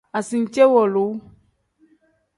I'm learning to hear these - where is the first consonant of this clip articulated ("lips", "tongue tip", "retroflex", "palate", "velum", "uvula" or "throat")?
tongue tip